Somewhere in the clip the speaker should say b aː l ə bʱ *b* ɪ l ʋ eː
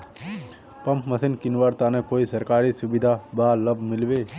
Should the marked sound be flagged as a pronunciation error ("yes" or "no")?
yes